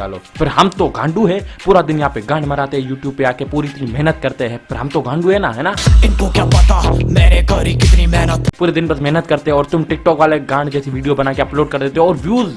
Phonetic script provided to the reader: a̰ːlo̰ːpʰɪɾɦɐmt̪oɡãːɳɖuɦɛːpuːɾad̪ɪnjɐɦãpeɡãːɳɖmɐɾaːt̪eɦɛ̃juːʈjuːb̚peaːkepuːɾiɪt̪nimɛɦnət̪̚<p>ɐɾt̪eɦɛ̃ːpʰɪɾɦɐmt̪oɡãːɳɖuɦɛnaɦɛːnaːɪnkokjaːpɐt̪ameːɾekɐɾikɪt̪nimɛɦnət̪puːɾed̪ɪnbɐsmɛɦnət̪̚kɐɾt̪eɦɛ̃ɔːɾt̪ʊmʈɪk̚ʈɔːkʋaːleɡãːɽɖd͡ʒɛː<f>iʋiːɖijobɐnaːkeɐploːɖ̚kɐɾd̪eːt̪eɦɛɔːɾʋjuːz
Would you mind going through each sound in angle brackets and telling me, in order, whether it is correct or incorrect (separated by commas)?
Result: incorrect, incorrect